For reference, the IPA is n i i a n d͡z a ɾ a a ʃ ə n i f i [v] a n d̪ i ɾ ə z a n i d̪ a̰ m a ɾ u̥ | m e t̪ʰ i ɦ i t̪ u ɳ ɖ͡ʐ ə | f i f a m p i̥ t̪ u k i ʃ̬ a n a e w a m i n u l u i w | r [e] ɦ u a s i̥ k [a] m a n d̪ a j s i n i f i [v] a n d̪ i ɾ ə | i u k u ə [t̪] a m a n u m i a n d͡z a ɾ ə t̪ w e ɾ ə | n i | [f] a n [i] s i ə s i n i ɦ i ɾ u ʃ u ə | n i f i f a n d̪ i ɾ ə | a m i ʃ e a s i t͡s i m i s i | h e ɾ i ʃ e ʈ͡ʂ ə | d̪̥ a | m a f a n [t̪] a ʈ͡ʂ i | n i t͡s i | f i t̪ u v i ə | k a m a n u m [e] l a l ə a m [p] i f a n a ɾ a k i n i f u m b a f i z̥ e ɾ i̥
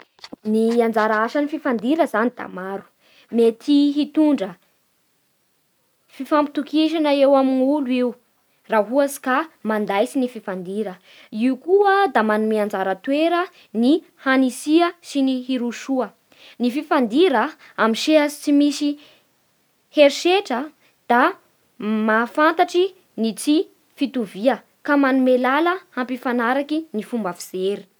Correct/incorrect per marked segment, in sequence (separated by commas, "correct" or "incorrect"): incorrect, incorrect, correct, incorrect, incorrect, incorrect, correct, correct, correct, correct